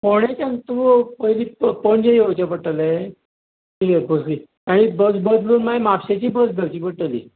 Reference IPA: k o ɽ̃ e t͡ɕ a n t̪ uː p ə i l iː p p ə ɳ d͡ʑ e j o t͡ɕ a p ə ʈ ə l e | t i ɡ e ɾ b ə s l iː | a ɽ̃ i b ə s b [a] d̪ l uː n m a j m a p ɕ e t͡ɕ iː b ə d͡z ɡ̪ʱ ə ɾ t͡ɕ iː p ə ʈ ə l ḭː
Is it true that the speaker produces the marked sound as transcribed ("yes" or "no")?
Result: no